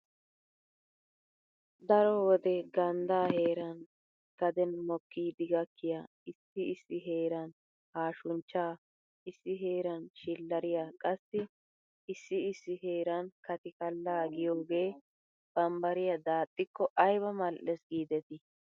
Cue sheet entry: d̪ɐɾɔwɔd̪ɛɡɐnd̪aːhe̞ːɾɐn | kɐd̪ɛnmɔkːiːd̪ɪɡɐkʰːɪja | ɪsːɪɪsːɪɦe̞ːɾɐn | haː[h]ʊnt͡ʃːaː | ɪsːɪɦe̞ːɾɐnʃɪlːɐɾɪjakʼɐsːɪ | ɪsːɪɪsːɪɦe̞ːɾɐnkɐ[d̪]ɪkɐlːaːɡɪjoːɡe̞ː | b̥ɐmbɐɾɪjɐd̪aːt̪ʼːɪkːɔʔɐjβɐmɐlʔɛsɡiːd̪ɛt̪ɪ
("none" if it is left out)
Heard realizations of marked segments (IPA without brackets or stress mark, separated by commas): ʃ, t̪